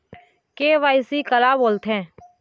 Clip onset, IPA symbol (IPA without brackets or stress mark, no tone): k